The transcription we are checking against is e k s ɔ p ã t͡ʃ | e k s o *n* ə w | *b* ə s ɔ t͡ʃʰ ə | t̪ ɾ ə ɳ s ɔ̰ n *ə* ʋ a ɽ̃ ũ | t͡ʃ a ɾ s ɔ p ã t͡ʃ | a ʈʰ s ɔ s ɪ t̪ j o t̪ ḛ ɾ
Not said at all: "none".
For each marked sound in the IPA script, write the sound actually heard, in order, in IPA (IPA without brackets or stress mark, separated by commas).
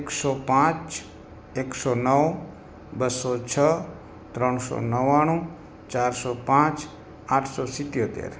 n, b, ə